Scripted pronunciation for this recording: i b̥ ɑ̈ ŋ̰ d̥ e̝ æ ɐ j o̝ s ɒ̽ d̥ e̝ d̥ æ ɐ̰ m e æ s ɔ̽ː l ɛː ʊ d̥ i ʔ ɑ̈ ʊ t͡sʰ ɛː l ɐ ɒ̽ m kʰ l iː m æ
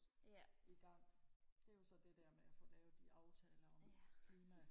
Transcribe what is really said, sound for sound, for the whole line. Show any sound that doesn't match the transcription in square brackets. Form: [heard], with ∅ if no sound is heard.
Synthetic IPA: i [ɡ̥] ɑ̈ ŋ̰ d̥ e̝ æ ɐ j o̝ s ɒ̽ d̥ e̝ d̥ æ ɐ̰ m e æ [f] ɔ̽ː l ɛː ʊ d̥ i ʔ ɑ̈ ʊ t͡sʰ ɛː l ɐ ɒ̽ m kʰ l iː m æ